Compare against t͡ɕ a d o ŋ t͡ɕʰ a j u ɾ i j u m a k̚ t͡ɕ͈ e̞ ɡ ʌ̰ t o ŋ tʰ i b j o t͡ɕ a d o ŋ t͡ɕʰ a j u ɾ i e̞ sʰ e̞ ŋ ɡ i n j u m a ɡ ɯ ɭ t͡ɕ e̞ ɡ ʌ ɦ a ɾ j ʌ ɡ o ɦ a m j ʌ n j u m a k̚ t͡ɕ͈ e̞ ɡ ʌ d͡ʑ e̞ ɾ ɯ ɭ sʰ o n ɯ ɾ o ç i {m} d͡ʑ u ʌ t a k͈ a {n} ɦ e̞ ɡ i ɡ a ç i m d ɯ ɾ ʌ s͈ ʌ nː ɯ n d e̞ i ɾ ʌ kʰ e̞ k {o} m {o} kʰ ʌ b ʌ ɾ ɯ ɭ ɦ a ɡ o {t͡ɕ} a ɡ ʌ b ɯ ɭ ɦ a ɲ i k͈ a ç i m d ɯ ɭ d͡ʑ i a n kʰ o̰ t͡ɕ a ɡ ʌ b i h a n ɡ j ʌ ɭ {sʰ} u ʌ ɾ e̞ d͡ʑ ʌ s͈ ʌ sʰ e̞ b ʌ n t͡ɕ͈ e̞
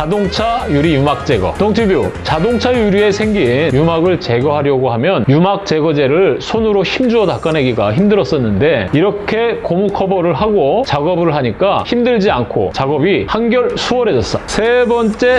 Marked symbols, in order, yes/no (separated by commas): yes, yes, yes, no, yes, yes